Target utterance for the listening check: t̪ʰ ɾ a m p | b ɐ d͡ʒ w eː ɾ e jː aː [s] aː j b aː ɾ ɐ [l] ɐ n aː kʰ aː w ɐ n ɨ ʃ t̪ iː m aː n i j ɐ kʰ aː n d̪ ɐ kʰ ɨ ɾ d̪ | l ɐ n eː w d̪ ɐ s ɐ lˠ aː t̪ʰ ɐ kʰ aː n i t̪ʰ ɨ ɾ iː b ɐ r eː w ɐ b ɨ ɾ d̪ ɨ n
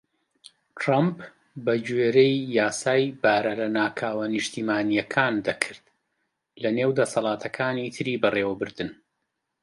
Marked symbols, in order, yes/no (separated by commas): yes, yes